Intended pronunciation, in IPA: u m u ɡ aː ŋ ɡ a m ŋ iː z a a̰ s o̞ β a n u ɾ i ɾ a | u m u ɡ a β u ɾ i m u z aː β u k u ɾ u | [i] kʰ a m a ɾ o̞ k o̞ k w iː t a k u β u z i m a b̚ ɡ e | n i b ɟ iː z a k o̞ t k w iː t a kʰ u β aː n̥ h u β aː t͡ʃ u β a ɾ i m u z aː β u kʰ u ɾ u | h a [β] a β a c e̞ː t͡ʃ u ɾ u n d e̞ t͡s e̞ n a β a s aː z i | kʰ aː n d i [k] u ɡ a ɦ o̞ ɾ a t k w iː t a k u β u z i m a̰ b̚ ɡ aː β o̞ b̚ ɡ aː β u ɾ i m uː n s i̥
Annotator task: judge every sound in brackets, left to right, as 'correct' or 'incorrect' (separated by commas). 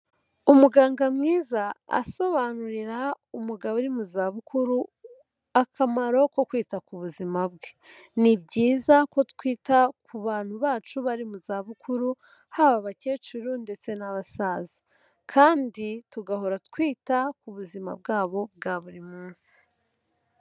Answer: incorrect, correct, incorrect